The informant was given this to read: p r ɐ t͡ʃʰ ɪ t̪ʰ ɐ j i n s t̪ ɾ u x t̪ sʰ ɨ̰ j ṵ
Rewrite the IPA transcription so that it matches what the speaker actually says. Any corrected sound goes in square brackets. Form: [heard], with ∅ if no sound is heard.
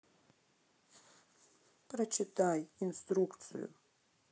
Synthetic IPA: p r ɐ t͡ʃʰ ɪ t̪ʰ [a] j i n s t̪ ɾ u [k] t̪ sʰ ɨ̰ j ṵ